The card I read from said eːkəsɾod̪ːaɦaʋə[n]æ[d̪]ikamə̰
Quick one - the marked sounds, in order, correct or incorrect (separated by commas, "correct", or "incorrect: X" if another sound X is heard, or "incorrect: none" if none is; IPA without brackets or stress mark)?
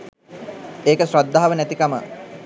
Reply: correct, incorrect: t̪